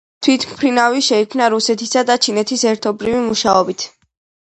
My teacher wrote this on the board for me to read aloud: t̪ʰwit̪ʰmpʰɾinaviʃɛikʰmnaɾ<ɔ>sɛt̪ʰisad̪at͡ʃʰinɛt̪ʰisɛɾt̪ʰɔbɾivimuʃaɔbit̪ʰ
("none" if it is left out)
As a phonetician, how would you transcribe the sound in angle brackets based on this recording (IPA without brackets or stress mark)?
u